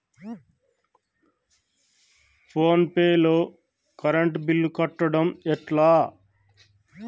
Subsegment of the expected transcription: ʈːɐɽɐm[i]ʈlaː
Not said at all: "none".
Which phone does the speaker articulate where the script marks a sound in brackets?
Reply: ɛ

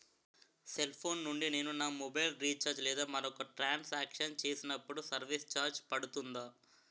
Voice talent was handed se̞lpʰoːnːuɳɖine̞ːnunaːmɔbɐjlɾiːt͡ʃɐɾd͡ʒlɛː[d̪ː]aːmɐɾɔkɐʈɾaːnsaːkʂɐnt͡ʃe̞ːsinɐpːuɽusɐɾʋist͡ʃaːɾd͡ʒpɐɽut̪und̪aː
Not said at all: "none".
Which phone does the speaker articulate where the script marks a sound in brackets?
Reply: d̪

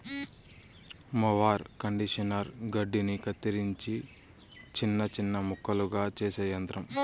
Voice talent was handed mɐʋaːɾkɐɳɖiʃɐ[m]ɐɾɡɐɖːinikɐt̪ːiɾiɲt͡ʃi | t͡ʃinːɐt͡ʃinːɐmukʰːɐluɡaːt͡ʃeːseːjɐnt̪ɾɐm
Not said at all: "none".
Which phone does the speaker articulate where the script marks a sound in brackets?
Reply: n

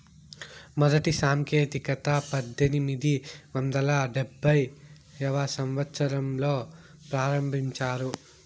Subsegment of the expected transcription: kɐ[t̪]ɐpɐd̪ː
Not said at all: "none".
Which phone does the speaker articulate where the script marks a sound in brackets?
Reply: t̪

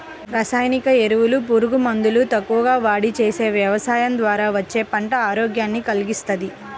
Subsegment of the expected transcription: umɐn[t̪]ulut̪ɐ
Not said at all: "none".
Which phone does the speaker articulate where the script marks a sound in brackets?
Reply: d̪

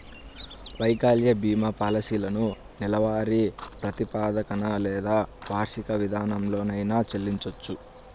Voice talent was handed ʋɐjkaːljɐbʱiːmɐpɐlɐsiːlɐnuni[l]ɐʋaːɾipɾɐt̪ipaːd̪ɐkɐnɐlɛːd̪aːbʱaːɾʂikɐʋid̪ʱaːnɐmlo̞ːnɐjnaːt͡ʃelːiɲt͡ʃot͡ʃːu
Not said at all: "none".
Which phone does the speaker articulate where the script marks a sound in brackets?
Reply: l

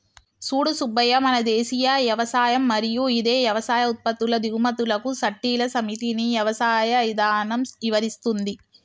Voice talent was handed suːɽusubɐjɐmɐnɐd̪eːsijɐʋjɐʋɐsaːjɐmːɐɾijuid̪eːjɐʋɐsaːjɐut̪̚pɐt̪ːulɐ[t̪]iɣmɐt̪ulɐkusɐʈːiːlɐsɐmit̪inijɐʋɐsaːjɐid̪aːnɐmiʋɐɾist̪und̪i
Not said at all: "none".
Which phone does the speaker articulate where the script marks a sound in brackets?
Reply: d̪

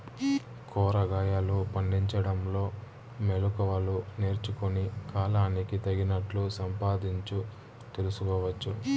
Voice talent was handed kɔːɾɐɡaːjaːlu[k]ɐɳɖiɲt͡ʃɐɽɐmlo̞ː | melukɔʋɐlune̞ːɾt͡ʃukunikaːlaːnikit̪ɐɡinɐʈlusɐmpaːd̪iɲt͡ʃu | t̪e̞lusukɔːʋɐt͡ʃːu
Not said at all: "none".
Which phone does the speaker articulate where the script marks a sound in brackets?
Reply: p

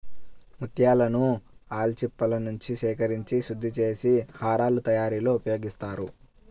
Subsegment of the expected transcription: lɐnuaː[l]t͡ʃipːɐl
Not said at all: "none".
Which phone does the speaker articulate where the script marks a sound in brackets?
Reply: l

